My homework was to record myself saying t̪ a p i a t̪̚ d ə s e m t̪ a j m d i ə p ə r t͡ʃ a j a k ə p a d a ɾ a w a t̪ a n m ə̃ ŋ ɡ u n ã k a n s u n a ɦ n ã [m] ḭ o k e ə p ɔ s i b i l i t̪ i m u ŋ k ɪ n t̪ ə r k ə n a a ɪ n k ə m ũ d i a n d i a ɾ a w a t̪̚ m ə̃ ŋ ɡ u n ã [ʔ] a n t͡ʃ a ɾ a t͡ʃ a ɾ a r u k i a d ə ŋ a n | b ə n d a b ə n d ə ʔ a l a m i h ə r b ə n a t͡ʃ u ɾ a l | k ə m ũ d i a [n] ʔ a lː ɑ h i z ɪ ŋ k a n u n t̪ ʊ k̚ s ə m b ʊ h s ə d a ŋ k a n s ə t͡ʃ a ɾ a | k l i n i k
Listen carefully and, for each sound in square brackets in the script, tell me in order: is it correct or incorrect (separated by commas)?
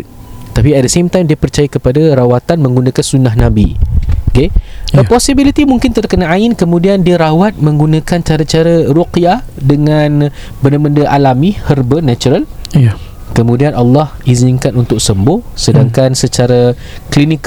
incorrect, incorrect, correct